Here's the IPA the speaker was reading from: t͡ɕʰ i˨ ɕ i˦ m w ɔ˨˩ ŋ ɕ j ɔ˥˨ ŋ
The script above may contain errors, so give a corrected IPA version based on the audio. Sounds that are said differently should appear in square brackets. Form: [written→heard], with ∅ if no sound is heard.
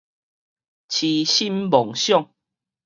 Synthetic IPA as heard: t͡ɕʰ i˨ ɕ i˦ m [w→b] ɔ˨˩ ŋ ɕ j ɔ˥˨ ŋ